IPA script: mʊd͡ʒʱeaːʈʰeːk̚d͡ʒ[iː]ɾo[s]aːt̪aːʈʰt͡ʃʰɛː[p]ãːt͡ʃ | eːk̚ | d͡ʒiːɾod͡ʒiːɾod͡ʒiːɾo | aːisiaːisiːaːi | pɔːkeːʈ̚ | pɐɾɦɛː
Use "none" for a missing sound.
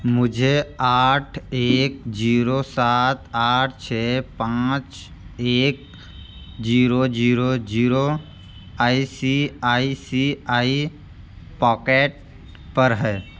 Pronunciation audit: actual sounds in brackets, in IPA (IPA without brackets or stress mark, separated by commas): iː, s, p